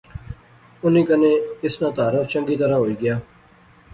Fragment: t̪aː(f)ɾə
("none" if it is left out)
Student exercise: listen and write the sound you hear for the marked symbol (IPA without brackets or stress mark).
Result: none